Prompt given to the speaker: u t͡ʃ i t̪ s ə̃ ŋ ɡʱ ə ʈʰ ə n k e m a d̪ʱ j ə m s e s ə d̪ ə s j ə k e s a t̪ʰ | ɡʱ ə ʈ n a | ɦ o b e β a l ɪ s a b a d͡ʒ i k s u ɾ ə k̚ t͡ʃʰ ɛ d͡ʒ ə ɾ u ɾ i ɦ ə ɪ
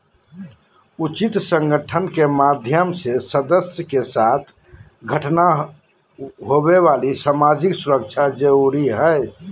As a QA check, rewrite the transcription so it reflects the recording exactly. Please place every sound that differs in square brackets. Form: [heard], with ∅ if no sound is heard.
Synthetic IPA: u t͡ʃ i t̪ s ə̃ ŋ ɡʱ ə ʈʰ ə n k e m a d̪ʱ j ə m s e s ə d̪ ə s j ə k e s a t̪ʰ | ɡʱ ə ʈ n a | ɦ o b e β a l [i] s a [m] a d͡ʒ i k s u ɾ ə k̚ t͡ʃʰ [a] d͡ʒ ə ɾ u ɾ i ɦ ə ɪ